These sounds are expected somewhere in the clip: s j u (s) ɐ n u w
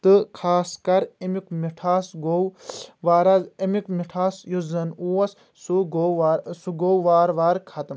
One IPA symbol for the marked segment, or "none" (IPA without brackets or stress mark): z